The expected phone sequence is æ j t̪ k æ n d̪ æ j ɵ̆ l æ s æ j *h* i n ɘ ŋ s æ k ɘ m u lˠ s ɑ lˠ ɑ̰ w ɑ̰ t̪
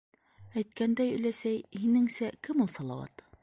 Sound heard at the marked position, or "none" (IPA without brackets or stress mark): h